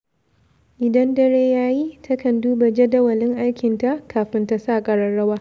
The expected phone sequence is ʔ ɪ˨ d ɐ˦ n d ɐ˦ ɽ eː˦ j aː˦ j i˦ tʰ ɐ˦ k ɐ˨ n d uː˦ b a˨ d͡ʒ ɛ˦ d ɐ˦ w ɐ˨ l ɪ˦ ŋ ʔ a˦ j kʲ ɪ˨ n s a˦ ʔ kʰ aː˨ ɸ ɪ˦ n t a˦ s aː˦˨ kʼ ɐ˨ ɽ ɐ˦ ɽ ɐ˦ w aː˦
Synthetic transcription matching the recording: ʔ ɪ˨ d ɐ˦ n d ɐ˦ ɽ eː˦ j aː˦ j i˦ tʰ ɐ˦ k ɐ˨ n d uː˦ b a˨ d͡ʒ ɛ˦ d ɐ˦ w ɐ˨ l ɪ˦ ŋ ʔ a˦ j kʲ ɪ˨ n t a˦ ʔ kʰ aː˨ ɸ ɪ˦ n t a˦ s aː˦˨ kʼ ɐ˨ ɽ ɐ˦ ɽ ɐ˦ w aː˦